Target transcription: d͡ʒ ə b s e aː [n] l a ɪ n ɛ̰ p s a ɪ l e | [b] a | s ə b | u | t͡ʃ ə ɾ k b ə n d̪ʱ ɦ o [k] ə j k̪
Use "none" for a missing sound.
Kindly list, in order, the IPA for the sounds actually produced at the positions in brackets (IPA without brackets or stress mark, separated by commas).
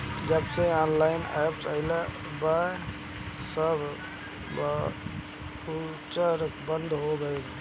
n, b, ɡ